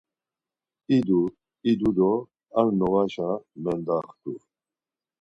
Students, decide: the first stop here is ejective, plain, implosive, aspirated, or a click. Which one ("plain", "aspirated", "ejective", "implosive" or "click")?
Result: plain